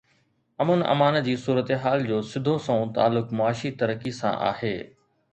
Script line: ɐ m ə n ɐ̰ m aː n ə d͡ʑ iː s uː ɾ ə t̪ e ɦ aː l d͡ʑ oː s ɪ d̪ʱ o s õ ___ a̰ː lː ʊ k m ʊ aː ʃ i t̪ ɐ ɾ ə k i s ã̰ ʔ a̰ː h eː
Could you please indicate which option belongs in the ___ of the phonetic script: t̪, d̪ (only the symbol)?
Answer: t̪